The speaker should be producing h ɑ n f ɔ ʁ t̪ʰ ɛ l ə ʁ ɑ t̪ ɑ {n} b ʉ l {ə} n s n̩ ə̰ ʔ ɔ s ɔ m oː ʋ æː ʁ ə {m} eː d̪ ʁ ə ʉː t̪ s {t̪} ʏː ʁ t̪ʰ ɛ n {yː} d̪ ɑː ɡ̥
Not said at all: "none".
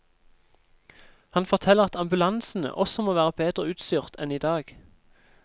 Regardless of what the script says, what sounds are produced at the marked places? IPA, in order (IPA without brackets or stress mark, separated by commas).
m, ɑ, b, t̪, iː